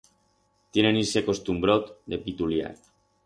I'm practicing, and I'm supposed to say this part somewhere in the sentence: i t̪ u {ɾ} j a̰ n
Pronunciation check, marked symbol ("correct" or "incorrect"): incorrect